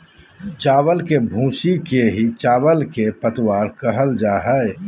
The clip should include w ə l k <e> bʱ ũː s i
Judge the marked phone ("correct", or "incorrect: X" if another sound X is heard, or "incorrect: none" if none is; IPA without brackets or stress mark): correct